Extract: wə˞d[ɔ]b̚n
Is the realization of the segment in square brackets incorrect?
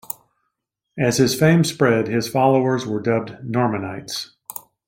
yes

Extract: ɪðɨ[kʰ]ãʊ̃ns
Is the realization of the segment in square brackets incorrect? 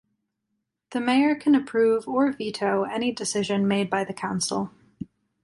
no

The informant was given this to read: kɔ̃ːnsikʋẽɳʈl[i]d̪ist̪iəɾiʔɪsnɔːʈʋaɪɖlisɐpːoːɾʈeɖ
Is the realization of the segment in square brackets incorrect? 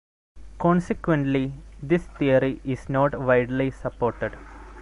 no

